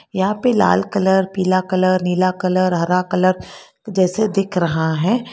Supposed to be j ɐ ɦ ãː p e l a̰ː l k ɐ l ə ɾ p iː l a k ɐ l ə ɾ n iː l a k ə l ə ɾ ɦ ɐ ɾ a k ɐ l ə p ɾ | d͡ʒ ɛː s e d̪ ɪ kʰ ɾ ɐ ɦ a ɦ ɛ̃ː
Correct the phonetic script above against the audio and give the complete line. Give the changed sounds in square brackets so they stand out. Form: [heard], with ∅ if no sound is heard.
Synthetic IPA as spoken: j ɐ ɦ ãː p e l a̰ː l k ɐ l ə ɾ p iː l a k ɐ l ə ɾ n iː l a k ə l ə ɾ ɦ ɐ ɾ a k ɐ l ə [∅] ɾ | d͡ʒ ɛː s e d̪ ɪ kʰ ɾ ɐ ɦ a ɦ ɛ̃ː